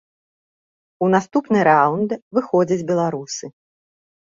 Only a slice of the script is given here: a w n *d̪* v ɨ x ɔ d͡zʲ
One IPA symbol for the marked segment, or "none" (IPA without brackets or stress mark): d̪